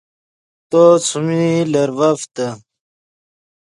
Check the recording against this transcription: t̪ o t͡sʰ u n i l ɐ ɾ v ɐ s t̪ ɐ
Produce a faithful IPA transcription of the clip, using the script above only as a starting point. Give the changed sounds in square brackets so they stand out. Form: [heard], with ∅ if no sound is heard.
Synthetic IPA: t̪ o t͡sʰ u [m] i l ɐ ɾ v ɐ [f] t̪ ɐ